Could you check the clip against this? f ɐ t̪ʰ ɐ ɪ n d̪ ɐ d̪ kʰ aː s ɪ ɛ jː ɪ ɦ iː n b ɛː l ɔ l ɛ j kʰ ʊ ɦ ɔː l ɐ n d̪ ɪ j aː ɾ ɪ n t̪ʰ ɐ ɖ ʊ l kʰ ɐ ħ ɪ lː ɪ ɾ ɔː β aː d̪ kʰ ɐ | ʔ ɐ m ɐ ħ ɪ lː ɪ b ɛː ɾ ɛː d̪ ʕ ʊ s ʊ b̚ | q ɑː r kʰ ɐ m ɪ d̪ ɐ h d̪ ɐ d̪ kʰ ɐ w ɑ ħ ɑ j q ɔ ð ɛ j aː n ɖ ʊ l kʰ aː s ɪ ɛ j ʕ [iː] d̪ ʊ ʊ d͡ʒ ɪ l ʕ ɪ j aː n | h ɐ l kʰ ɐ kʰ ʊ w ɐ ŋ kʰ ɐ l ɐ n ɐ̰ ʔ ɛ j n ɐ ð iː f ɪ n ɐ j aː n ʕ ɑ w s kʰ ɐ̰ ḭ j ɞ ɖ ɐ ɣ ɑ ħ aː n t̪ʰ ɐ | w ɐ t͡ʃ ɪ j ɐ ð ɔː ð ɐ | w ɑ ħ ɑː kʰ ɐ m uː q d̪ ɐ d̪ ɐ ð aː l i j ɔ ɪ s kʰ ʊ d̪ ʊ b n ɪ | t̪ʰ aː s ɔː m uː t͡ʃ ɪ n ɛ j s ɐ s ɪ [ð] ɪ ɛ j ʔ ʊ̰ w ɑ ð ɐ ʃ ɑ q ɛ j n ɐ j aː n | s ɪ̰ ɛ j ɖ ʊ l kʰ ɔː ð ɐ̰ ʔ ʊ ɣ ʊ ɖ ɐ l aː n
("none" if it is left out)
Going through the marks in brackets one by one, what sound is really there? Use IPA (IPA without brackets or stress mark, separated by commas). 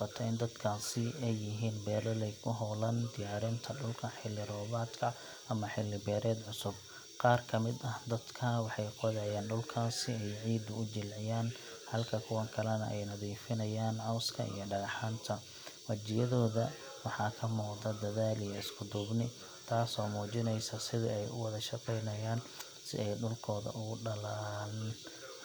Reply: iː, ð